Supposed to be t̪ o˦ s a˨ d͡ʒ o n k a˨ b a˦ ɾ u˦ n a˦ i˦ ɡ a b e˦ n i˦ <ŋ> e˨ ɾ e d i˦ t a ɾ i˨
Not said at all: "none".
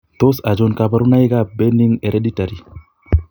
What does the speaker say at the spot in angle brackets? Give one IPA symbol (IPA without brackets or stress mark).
ŋ